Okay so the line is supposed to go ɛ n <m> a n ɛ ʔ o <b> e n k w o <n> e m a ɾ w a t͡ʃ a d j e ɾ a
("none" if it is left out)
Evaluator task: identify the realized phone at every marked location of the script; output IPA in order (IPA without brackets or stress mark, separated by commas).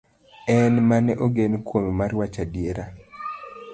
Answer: m, ɡ, m